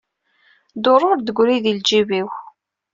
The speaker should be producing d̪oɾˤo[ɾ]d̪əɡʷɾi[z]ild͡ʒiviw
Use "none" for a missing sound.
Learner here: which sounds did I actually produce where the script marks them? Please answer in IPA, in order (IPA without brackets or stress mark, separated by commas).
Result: ɾ, ð